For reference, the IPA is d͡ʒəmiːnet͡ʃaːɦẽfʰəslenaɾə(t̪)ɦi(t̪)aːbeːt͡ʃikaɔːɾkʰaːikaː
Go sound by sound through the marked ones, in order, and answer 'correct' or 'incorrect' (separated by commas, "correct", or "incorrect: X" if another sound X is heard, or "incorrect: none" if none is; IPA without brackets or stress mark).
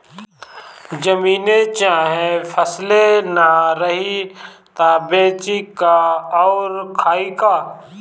incorrect: none, correct